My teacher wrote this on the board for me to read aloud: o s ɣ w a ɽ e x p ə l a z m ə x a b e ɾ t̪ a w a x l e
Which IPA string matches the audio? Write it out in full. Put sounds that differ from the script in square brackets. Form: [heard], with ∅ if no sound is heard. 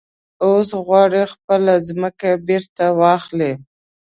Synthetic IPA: o s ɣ w [ɑ] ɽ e x p ə l a z m ə [k] a b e ɾ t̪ a w [ɑ] x l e

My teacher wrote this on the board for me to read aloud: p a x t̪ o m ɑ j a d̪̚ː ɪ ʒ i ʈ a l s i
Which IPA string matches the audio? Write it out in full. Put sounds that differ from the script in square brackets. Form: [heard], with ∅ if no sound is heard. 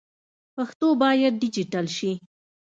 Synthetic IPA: p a x t̪ o [b] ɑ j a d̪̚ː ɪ [d͡ʒ] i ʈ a l [ʃ] i

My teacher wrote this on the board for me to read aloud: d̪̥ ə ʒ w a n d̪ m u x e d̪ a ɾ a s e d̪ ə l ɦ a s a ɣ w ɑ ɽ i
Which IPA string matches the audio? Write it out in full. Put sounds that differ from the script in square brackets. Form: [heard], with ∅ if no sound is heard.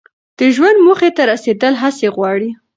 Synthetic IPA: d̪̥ ə ʒ w a n d̪ m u x e [t̪] a ɾ a s e d̪ ə l ɦ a s [e] ɣ w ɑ ɽ i

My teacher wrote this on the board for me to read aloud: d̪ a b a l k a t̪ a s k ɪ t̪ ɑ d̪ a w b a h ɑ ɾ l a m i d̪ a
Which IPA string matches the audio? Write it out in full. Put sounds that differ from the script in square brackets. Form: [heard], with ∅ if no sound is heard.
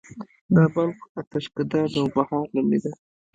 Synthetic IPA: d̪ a b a l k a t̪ a [ʃ] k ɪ [d̪] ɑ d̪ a w b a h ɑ ɾ l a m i d̪ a

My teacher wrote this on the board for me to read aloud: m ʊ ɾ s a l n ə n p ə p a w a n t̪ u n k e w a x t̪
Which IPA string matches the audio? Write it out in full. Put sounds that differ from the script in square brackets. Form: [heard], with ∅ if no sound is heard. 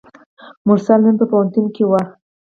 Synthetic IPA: m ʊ ɾ s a l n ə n p ə p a w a n t̪ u n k e w a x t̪

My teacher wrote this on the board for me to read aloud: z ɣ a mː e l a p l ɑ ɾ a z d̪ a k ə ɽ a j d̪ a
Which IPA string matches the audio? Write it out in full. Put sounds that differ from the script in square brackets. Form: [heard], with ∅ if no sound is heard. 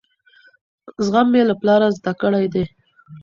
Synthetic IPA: z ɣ a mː e l a p l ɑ ɾ a z d̪ a k ə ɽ a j d̪ [e]

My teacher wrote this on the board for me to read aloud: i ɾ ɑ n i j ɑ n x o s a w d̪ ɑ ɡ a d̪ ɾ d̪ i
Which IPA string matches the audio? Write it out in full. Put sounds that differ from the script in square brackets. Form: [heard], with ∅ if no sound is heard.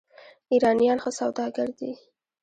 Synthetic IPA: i ɾ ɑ n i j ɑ n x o s a w d̪ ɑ ɡ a [∅] ɾ d̪ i

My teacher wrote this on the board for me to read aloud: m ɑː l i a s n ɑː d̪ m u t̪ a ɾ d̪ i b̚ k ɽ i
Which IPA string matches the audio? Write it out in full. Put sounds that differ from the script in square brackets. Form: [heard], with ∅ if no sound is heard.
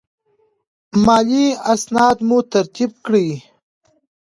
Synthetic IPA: m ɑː l i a s n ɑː d̪ m u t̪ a ɾ [t̪] i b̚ k ɽ i

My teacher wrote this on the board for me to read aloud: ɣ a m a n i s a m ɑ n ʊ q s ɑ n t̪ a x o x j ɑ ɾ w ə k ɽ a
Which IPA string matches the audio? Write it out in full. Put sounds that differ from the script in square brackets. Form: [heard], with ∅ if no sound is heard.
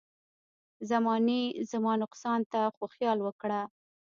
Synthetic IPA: [z] a m [ɑ] n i [z] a m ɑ n ʊ q s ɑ n t̪ a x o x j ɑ [l] w ə k ɽ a

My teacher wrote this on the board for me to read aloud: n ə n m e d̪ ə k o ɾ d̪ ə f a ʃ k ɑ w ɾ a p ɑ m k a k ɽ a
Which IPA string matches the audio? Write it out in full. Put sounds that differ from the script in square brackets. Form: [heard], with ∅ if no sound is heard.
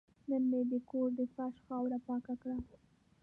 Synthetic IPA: n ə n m e d̪ ə k o ɾ d̪ ə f a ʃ [x] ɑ w ɾ a p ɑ [∅] k a k ɽ a

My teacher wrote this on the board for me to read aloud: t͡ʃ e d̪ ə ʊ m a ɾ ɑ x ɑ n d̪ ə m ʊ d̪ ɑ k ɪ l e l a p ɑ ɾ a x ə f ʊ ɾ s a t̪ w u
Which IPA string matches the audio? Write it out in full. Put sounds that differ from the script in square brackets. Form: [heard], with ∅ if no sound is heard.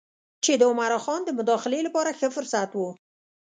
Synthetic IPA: t͡ʃ e d̪ ə ʊ m a ɾ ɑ x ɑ n d̪ ə m ʊ d̪ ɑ [x] ɪ l e l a p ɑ ɾ a x ə f ʊ ɾ s a t̪ w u

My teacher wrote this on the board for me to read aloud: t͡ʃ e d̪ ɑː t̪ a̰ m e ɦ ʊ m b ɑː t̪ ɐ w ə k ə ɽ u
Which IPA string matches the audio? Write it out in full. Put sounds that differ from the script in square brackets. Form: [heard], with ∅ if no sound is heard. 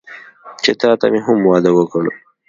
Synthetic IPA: t͡ʃ e [t̪] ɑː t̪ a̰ m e ɦ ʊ m [w] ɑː [d̪] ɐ w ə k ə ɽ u

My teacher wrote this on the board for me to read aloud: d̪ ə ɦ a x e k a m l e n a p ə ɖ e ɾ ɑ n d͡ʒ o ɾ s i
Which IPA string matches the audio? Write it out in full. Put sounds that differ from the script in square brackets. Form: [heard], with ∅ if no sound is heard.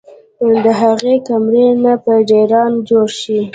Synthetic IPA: d̪ ə ɦ a [ɣ] e k a m [ɾ] e n a p ə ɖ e ɾ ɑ n d͡ʒ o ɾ [ʃ] i

